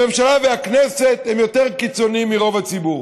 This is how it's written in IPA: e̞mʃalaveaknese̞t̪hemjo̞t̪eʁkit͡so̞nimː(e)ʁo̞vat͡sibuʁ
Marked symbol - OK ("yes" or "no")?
no